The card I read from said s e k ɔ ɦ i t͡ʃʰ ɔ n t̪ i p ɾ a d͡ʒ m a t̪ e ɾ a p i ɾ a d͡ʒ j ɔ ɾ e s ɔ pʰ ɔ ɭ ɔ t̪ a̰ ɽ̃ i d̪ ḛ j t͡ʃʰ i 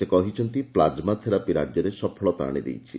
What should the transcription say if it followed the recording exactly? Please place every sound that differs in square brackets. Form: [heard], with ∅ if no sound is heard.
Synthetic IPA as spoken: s e k ɔ ɦ i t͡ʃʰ ɔ n t̪ i p [l] a d͡ʒ m a [t̪ʰ] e ɾ a p i ɾ a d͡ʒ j ɔ ɾ e s ɔ pʰ ɔ ɭ ɔ t̪ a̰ ɽ̃ i d̪ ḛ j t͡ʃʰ i